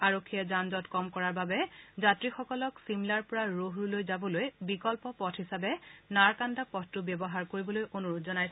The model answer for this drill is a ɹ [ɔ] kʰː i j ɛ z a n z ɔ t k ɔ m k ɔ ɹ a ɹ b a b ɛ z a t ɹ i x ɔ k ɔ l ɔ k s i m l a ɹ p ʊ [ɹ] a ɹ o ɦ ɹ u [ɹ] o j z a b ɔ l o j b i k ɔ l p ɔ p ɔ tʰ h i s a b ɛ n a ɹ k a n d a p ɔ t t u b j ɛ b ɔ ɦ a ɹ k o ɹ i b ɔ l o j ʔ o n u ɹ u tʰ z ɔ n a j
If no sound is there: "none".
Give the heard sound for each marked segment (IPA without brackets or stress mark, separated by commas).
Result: o, ɹ, l